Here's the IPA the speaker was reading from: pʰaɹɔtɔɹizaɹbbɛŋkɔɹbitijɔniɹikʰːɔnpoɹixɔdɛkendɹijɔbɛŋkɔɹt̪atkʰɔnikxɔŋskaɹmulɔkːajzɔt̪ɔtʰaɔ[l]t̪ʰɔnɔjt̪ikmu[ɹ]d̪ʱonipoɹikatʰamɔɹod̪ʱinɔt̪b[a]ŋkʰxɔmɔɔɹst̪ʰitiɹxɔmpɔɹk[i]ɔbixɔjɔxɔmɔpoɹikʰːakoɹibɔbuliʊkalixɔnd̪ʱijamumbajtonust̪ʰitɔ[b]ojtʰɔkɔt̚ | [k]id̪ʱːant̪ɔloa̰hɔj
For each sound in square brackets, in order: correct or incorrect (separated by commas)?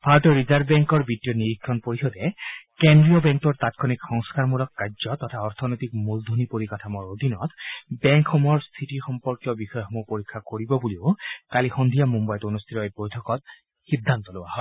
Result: incorrect, incorrect, incorrect, incorrect, correct, incorrect